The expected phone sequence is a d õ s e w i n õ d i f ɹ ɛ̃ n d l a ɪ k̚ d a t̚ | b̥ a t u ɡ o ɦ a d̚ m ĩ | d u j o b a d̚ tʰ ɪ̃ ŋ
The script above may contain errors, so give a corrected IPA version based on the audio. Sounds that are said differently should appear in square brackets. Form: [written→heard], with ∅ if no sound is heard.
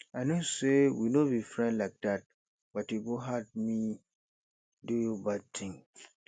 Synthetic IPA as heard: a [d→n] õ s e w i n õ [d→b] i f ɹ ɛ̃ n d l a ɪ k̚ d a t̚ | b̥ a t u ɡ o ɦ a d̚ m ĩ | d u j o b a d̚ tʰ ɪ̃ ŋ

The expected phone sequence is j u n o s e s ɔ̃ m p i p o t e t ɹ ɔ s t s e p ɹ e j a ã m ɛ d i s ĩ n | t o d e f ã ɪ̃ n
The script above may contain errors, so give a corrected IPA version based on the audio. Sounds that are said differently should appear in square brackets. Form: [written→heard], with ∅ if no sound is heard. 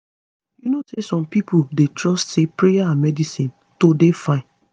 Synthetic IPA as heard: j u n o s e s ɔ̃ m p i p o [t→d] e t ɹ ɔ s t s e p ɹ e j a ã m ɛ d i s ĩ n | t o d e f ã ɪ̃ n

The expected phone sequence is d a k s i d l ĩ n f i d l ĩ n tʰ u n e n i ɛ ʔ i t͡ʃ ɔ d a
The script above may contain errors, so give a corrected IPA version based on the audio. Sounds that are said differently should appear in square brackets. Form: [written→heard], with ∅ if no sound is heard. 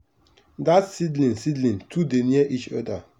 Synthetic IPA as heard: d a [k→t] s i d l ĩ n [f→s] i d l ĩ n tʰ u [n→d] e n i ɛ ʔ i t͡ʃ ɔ d a

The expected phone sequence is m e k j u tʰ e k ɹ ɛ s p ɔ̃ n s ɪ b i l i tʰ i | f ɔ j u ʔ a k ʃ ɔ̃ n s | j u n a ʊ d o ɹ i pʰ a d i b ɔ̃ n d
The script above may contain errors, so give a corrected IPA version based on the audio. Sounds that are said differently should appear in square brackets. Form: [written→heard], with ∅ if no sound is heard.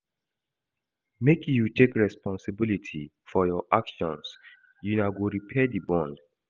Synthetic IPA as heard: m e k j u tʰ e k ɹ ɛ s p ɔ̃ n s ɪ b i l i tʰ i | f ɔ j [u→ɔ] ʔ a k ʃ ɔ̃ n s | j u n a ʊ [d→ɡ] o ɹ i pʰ [a→ɛ] d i b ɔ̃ n d

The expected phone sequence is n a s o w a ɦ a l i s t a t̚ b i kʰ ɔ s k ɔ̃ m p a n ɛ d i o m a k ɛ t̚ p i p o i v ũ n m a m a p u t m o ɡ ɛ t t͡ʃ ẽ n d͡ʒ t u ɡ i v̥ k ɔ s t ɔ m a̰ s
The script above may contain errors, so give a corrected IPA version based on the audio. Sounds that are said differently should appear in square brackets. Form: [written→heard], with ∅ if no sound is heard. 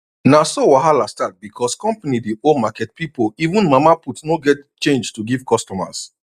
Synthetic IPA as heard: n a s o w a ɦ a l [i→a] s t a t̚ b i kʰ ɔ s k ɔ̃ m p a n [ɛ→i] d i o m a k ɛ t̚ p i p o i v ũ n m a m a p u t [m→n] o ɡ ɛ t t͡ʃ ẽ n d͡ʒ t u ɡ i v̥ k ɔ s t ɔ m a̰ s

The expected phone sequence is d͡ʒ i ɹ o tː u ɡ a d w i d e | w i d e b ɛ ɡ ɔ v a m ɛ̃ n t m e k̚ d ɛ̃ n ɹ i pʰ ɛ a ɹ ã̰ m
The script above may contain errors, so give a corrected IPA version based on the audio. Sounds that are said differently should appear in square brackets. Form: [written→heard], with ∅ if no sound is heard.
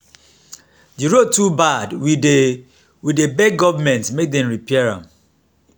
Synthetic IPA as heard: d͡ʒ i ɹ o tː u [ɡ→b] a d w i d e | w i d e b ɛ ɡ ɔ v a m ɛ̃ n t m e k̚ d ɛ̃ [n→m] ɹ i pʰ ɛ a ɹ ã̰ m

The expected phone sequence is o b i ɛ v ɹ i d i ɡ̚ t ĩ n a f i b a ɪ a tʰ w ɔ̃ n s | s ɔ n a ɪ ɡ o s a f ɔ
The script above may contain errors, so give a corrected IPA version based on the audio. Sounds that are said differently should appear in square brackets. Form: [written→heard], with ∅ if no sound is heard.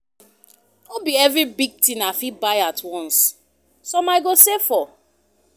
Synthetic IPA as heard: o b i ɛ v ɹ i [d→b] i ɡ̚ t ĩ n a f i b a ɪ a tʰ w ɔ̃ n s | s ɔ [n→m] a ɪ ɡ o s [a→e] f ɔ

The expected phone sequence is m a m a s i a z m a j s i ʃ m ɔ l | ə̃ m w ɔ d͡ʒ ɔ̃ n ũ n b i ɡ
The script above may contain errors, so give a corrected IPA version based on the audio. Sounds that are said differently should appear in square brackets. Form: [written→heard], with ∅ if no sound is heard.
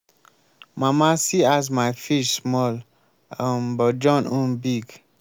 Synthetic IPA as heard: m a m a s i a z m a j [s→f] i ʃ m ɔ l | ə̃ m [w→b] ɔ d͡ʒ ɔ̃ n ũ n b i ɡ

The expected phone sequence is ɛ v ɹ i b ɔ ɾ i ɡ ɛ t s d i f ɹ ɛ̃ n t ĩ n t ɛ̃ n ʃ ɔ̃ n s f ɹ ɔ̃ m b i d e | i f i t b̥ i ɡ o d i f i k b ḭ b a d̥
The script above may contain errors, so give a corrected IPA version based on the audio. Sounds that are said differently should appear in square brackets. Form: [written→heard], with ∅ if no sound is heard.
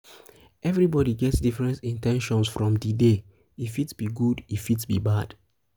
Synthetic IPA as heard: ɛ v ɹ i b ɔ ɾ i ɡ ɛ t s d i f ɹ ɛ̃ n t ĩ n t ɛ̃ n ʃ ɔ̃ n s f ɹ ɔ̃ m [b→d] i d e | i f i t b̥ i ɡ [o→u] d i f i [k→t] b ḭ b a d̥

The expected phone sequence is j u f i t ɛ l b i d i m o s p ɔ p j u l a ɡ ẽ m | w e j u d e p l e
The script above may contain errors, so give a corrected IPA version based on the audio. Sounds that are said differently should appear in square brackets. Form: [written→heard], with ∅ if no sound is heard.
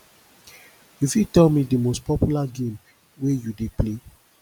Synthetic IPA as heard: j u f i t ɛ l [b→m] i d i m o s p ɔ p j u l a ɡ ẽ m | w e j u d e p l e

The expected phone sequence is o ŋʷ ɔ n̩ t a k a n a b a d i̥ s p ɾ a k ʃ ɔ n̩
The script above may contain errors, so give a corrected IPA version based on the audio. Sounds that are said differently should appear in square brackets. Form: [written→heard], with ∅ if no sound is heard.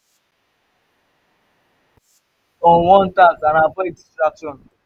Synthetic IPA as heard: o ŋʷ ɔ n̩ t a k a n a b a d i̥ s [p→t] ɾ a k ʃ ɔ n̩

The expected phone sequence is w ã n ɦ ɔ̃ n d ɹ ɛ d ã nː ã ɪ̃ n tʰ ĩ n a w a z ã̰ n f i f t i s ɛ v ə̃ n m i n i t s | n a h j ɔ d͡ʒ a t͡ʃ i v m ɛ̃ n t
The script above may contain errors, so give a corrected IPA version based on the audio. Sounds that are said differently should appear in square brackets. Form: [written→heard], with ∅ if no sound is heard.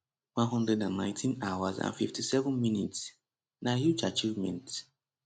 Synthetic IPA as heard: w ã n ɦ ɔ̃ n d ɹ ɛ d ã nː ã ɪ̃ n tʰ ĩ n a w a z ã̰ n f i f t i s ɛ v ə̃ n m i n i t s | n a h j [ɔ→u] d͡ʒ a t͡ʃ i v m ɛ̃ n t

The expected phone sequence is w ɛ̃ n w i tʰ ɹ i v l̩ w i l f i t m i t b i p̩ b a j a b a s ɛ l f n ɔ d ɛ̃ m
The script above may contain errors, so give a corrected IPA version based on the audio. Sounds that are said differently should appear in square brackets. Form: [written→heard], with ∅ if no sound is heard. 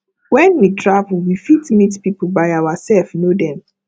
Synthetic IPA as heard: w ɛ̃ n w i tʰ ɹ [i→a] v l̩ w i [l→∅] f i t m i t [b→p] i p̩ b a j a [b→w] a s ɛ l f n [ɔ→o] d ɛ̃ m

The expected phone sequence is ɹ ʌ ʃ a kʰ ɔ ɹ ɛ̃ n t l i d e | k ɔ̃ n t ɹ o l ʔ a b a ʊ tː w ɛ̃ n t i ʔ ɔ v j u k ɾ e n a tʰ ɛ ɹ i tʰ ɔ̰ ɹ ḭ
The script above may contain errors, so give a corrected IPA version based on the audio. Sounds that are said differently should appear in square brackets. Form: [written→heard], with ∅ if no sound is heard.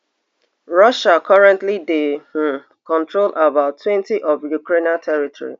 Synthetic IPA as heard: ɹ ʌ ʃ a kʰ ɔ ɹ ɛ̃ n t l i d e | k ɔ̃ n t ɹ o l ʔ a b a ʊ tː w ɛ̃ n t i ʔ ɔ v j u k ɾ e n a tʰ ɛ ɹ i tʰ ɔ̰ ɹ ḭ

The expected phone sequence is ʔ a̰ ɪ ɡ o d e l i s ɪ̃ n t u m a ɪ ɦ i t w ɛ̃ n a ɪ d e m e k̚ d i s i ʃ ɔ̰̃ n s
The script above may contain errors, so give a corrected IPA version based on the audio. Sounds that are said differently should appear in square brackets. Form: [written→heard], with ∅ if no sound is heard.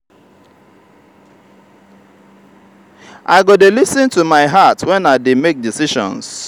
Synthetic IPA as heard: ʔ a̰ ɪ ɡ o d e l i s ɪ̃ n t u m a ɪ ɦ [i→a] t w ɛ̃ n a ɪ d e m e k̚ d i s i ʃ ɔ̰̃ n s

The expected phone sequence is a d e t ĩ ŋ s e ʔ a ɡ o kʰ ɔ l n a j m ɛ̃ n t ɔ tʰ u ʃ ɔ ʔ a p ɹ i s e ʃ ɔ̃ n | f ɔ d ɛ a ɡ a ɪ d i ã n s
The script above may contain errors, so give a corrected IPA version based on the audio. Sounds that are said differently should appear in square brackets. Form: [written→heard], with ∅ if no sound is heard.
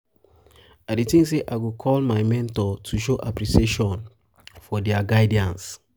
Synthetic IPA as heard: a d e t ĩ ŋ s e ʔ a ɡ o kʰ ɔ l [n→m] a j m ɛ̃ n t ɔ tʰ u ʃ [ɔ→o] ʔ a p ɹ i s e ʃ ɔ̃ n | f ɔ d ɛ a ɡ a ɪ d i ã n s

